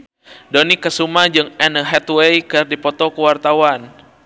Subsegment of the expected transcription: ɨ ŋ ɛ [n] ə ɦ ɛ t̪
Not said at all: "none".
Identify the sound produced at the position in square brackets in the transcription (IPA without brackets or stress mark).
n